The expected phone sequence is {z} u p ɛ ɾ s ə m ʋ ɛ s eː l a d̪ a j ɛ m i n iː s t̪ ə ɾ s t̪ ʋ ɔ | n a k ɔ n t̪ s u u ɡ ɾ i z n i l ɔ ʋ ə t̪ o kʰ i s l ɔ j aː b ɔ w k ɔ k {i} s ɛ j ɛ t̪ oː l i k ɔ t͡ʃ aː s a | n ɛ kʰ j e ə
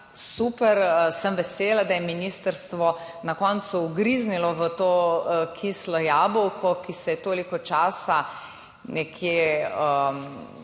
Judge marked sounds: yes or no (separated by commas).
no, yes